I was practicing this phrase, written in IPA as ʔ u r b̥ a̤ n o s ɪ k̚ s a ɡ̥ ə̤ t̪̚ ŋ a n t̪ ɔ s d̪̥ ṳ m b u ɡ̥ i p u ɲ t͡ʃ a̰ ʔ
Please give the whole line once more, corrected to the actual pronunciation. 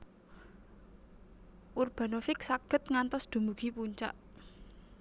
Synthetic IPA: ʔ u r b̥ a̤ n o f ɪ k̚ s a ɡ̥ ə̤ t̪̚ ŋ a n t̪ ɔ s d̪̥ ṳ m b u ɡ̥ i p u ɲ t͡ʃ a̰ ʔ